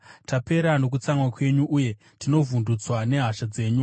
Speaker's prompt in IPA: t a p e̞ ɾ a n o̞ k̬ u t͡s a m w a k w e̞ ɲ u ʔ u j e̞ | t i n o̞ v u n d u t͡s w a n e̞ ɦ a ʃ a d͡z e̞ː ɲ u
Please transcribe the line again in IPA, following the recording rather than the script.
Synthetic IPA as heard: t a p e̞ ɾ a n o̞ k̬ u t͡s a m w a k w e̞ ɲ u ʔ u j e̞ | t i n o̞ v u n d u t͡s w a n e̞ ɦ a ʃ a d͡z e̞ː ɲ u